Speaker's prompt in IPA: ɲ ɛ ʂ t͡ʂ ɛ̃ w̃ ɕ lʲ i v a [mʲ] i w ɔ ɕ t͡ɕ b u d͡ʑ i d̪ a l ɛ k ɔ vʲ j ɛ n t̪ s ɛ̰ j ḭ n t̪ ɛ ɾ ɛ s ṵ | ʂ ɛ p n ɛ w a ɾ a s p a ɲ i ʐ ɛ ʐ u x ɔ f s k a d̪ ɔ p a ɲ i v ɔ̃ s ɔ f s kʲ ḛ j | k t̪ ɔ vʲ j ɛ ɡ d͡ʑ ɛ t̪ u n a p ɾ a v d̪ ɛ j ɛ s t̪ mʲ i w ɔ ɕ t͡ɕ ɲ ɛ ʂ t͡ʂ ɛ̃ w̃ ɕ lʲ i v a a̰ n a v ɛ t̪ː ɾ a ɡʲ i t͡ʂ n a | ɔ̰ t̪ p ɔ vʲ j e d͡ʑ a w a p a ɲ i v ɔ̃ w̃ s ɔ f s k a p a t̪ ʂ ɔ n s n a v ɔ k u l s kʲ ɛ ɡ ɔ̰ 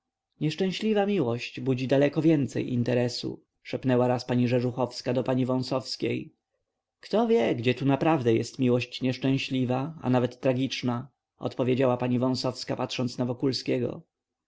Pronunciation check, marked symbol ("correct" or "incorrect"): correct